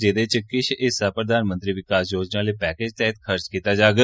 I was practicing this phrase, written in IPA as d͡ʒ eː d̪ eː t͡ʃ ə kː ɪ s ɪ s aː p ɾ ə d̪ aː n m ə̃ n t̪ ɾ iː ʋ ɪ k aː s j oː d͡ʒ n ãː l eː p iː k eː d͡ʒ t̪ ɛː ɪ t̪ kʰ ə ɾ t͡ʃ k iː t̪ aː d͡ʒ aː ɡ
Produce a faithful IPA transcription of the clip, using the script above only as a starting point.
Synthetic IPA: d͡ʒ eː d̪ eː t͡ʃ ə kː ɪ ʃ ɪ s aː p ɾ ə d̪ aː n m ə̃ n t̪ ɾ iː ʋ ɪ k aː s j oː d͡ʒ n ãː l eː p ɛː k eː d͡ʒ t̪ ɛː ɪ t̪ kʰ ə ɾ t͡ʃ k iː t̪ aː d͡ʒ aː ɡ